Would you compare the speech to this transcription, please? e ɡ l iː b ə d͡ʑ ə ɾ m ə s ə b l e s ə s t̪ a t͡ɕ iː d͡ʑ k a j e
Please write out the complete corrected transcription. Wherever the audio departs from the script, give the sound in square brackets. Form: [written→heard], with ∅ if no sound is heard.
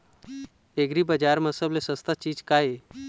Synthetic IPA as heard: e ɡ [l→ɾ] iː b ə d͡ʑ [ə→a] ɾ m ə s ə b l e s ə s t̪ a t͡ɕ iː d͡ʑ k a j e